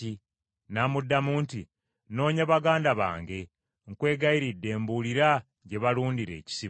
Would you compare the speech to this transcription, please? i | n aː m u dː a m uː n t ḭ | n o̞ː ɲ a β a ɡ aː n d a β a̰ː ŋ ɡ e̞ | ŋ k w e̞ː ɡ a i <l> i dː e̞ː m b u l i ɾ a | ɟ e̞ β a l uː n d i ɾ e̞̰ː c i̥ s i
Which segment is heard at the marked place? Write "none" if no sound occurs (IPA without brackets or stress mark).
ɾ